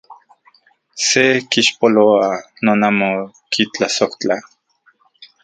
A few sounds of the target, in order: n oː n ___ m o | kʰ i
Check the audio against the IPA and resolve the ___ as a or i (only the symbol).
a